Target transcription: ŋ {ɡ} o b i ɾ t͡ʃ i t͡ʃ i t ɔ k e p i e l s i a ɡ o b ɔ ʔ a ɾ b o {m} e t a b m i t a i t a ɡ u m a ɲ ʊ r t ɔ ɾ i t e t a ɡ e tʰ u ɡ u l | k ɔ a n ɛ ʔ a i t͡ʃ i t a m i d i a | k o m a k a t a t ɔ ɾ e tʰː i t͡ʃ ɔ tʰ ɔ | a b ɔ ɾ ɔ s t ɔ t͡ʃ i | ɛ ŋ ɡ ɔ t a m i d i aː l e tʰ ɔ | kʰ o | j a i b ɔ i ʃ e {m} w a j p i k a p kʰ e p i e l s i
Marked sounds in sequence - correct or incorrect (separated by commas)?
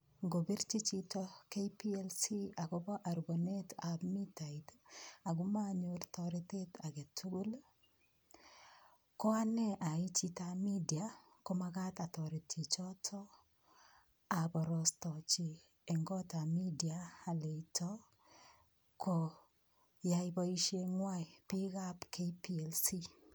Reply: correct, incorrect, incorrect